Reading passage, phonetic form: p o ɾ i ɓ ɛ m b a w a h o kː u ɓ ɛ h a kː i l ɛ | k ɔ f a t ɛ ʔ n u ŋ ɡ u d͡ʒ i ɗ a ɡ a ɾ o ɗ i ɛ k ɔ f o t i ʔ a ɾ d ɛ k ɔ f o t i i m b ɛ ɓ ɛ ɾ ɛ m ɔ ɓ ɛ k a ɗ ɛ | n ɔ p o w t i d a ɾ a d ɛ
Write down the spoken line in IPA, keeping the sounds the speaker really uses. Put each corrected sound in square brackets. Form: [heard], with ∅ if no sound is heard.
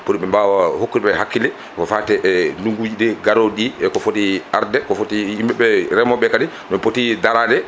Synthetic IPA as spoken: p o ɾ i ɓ ɛ m b a w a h o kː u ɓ ɛ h a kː i l ɛ | k ɔ f a t ɛ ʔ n u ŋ ɡ u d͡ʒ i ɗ [ɛ] ɡ a ɾ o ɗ i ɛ k ɔ f o t i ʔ a ɾ d ɛ k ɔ f o t i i m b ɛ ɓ ɛ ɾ ɛ m ɔ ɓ ɛ k a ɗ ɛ | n ɔ p o [∅] t i d a ɾ a d ɛ